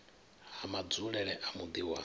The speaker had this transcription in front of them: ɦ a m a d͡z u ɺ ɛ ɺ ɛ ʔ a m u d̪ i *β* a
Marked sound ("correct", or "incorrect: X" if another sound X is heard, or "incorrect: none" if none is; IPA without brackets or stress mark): incorrect: w